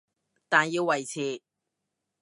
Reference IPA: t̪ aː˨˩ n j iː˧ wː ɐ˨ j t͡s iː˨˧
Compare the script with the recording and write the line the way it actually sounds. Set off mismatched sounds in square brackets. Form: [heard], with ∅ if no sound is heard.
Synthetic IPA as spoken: t̪ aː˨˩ n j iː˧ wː ɐ˨ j [t͡sʰ] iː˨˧